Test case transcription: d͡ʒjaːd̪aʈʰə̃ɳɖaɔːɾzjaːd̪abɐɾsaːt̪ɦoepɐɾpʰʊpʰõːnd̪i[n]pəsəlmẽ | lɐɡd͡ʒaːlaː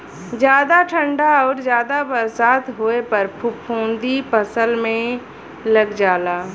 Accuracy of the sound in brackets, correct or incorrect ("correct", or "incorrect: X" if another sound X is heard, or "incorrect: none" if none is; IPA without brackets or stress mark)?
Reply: incorrect: none